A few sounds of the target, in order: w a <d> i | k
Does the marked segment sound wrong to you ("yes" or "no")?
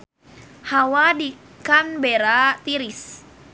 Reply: no